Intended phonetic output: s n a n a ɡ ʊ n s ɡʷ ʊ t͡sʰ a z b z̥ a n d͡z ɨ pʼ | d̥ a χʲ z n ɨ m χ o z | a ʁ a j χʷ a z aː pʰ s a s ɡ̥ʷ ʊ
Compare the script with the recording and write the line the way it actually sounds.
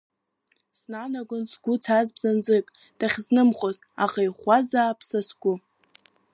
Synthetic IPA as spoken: s n a n a ɡ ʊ n s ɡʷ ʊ t͡sʰ a z b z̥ a n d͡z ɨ kʼ | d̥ a χʲ z n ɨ m χ o z | a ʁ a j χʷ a z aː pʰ s a s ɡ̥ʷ ʊ